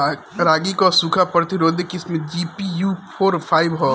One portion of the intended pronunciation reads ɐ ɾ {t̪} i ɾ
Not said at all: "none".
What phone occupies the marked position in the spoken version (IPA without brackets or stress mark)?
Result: t̪